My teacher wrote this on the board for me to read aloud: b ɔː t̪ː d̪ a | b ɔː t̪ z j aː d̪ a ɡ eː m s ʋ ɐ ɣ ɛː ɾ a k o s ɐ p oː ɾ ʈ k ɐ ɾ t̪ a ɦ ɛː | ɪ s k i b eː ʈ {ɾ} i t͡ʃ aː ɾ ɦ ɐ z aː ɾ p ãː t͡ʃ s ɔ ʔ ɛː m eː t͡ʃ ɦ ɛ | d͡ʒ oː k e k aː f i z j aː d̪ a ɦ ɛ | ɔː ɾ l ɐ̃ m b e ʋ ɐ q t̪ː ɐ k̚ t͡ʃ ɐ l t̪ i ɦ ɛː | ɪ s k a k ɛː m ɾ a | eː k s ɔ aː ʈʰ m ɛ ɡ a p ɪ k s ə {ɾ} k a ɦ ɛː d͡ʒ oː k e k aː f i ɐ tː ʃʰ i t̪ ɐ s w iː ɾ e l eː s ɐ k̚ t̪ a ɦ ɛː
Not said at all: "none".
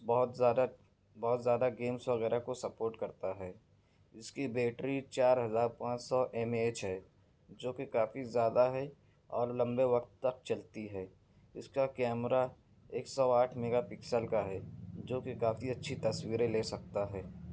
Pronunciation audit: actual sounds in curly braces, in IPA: ɾ, l

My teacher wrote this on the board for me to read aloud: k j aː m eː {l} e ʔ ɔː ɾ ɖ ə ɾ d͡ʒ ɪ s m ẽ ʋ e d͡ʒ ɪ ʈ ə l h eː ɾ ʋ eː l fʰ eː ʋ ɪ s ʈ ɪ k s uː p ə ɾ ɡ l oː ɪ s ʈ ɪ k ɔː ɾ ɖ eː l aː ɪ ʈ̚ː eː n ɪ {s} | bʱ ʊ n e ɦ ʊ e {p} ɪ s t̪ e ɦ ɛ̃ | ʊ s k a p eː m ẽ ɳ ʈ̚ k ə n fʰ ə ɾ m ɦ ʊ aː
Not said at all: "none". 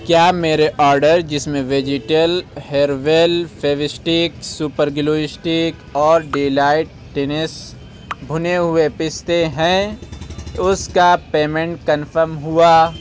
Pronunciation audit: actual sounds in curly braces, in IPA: ɾ, s, p

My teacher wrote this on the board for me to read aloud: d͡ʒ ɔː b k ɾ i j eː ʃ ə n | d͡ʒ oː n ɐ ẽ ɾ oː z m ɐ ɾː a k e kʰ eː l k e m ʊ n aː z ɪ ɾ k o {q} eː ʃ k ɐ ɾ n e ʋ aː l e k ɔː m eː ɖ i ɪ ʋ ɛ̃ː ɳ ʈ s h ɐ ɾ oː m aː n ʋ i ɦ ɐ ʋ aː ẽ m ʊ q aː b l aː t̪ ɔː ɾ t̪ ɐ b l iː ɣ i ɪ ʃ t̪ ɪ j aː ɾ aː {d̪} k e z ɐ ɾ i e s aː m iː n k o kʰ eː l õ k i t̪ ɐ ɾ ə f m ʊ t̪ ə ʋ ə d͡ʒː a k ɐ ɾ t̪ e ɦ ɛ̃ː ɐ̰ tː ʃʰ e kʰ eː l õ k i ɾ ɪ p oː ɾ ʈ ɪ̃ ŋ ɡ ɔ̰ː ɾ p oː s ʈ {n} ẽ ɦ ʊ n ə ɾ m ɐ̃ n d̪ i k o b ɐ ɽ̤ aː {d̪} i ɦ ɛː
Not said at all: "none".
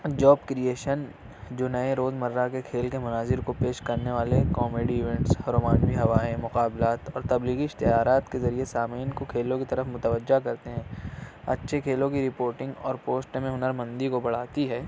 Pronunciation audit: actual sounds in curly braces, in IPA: p, t̪, m, t̪

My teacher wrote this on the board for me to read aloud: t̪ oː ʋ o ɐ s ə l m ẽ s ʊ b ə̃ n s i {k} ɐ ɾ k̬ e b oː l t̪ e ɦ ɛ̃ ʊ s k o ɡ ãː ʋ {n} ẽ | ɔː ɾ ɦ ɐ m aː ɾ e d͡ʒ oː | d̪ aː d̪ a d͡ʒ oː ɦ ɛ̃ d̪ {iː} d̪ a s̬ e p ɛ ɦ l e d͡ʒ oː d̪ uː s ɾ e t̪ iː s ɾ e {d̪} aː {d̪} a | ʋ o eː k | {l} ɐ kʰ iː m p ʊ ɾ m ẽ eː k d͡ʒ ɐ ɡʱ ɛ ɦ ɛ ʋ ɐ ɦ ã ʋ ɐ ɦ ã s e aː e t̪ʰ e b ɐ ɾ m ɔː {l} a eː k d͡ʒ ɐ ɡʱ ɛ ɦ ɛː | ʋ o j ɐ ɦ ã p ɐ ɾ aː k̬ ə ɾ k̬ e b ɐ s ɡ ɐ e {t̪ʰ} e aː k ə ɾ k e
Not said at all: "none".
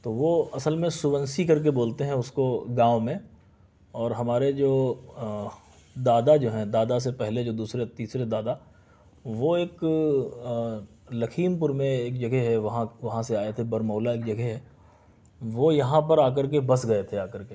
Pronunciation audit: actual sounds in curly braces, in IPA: k, m, aː, d̪, d̪, l, l, t̪ʰ

